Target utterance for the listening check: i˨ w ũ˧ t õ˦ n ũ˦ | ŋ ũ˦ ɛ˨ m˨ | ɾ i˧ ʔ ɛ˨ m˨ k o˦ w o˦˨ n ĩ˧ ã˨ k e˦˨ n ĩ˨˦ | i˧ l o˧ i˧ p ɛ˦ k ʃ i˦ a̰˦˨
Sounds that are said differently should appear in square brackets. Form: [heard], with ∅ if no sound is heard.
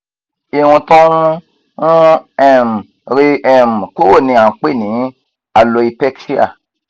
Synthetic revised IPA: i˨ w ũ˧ t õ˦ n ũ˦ | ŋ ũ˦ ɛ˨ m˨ | ɾ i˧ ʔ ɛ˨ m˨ k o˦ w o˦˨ n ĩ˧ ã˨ [k͡p] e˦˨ n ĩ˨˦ | [a˧] l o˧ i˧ p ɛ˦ k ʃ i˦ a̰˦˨

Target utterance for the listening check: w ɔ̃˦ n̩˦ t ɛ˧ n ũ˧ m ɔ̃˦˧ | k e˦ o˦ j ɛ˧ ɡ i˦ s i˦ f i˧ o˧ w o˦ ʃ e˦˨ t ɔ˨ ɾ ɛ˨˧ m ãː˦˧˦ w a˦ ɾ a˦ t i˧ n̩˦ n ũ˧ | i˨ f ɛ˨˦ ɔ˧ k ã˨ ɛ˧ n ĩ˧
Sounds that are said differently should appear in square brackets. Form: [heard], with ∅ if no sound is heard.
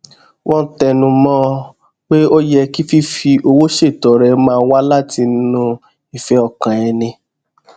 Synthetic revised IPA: w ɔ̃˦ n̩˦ t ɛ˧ n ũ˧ m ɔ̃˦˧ | [k͡p] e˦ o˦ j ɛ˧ [k] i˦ [f] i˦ f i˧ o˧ w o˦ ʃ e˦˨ t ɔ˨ ɾ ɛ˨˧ m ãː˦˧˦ w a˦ [l] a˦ t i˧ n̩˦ n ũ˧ | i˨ f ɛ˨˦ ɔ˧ k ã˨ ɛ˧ n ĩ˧

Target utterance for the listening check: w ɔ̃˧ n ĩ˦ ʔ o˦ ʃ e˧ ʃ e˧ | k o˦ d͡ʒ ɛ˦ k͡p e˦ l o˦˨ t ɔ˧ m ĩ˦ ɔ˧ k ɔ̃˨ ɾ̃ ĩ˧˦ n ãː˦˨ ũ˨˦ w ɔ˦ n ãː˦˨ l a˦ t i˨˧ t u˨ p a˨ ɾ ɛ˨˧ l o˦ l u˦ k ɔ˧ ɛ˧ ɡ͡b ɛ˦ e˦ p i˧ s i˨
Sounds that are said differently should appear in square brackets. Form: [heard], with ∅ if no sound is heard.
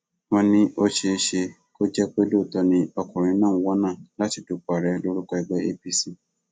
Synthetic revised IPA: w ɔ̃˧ n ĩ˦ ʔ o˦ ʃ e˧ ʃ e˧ | k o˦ d͡ʒ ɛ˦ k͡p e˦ l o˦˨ t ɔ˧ [n] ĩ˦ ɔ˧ k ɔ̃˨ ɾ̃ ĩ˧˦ n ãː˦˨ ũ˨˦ w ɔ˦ n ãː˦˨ l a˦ t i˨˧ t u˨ [k͡p] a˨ ɾ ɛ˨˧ l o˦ [ɾ] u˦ k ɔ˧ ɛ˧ ɡ͡b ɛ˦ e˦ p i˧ s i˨

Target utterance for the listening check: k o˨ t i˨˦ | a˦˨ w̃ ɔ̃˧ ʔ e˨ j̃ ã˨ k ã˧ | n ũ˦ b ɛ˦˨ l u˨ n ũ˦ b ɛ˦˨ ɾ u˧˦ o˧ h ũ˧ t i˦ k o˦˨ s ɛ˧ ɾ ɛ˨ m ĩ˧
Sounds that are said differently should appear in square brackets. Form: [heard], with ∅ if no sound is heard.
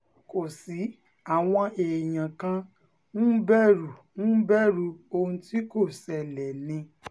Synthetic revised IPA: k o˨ [s] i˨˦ | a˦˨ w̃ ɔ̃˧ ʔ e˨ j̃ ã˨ k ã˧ | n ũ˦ b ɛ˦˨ [ɾ] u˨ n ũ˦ b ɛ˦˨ ɾ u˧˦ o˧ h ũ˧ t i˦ k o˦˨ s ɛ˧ [l] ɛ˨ [n] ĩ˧

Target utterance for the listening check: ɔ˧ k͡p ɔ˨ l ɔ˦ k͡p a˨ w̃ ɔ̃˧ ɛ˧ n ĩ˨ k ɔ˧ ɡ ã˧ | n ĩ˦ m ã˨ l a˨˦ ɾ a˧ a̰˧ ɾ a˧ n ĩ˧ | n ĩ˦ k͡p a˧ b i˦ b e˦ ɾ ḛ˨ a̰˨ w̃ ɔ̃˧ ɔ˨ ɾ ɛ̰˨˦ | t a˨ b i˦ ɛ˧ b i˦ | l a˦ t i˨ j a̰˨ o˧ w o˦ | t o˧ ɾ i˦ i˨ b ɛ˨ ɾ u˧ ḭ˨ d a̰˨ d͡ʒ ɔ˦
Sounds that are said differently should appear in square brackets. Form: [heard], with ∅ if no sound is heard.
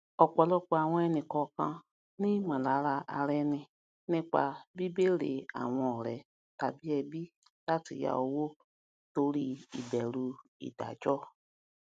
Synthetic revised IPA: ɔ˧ k͡p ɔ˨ l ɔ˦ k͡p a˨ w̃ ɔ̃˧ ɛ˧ n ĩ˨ k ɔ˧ [k] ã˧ | n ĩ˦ m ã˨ l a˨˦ ɾ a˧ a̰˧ ɾ [ɛ˧] n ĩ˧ | n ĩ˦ k͡p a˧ b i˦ b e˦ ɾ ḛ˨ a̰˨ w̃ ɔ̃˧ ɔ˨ ɾ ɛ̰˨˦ | t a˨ b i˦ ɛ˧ b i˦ | l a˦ t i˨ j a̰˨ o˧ w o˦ | t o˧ ɾ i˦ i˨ b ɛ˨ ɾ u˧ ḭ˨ d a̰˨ d͡ʒ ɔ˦

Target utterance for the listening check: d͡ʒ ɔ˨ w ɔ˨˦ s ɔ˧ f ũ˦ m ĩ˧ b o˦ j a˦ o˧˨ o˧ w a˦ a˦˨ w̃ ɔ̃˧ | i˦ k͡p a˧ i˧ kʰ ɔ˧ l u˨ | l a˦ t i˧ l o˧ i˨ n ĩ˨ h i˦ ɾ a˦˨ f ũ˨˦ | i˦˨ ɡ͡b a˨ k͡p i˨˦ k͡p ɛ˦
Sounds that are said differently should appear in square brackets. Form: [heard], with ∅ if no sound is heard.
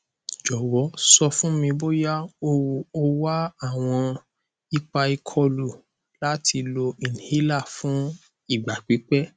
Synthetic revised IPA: d͡ʒ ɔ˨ w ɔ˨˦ s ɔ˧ f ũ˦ m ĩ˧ b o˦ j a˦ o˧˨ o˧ w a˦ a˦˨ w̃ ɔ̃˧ | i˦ k͡p a˧ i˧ kʰ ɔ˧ l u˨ | l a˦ t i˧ l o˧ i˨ n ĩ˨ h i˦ [l] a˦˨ f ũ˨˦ | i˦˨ ɡ͡b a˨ k͡p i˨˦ k͡p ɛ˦

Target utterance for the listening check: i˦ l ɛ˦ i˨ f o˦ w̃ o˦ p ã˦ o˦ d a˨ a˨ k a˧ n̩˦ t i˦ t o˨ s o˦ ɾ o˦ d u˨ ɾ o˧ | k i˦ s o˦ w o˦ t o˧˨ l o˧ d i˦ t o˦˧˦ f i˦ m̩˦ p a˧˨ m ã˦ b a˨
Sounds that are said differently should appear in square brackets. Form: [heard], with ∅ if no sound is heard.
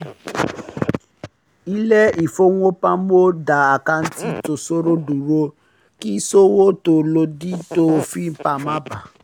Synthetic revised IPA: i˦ l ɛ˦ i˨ f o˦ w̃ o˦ p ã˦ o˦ d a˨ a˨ k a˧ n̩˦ t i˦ t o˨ s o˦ ɾ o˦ d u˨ ɾ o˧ | k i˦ s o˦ w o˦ t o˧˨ l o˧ d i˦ t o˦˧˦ f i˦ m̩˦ p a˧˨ m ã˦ b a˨

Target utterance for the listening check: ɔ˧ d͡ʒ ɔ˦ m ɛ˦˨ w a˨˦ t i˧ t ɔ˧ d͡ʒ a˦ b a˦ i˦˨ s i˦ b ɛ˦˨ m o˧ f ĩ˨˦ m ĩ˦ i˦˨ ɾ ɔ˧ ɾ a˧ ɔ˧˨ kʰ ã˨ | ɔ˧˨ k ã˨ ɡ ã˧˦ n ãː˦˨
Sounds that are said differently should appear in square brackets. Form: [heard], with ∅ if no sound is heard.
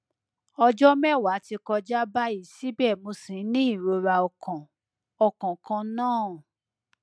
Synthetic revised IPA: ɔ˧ d͡ʒ ɔ˦ m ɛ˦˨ w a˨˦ t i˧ [k] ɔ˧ d͡ʒ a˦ b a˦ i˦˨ s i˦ b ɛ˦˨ m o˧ [s] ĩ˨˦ [n] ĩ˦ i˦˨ ɾ [o˧] ɾ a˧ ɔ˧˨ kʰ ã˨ | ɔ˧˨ k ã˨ [k] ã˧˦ n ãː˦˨

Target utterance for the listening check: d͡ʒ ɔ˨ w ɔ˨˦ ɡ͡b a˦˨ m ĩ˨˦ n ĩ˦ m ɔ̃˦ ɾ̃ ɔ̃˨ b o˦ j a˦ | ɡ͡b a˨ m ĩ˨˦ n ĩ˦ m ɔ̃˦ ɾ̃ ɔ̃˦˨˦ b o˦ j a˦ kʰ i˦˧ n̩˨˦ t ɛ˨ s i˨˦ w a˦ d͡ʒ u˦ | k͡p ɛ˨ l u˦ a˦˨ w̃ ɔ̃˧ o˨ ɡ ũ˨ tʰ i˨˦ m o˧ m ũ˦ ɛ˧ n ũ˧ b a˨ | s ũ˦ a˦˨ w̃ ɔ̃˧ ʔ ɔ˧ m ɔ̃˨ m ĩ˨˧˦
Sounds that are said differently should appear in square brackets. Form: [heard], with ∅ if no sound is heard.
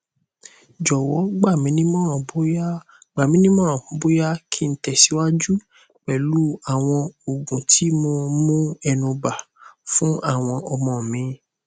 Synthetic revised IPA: d͡ʒ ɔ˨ w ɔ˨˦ ɡ͡b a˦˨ m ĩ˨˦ n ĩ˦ m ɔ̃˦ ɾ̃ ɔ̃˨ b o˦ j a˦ | ɡ͡b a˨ m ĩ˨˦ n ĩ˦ m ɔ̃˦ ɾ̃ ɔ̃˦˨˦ b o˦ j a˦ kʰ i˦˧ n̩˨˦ t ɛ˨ s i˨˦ w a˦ d͡ʒ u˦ | k͡p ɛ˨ l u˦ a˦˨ w̃ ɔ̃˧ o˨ ɡ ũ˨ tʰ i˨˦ m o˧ m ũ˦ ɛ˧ n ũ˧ b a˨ | [f] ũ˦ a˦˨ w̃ ɔ̃˧ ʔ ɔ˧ m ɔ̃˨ m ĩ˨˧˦

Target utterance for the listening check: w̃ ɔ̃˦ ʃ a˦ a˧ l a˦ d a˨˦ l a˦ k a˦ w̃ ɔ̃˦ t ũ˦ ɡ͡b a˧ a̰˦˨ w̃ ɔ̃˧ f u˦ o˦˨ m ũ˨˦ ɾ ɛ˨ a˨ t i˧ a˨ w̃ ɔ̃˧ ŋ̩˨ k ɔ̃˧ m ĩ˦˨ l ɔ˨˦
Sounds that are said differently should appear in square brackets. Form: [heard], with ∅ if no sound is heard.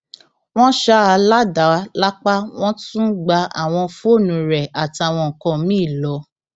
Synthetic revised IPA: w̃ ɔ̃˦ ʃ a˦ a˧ l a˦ d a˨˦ l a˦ [k͡p] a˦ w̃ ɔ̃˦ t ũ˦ ɡ͡b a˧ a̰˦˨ w̃ ɔ̃˧ f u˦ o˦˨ [n] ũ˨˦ ɾ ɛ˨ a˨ t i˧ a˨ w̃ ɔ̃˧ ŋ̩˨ k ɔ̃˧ m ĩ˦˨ l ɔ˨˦

